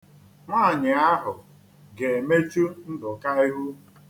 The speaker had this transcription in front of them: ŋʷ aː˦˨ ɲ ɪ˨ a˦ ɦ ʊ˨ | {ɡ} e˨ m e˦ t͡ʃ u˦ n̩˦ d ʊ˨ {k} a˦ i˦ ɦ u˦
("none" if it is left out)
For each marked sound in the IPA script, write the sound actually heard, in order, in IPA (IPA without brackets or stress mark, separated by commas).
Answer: ɡ, k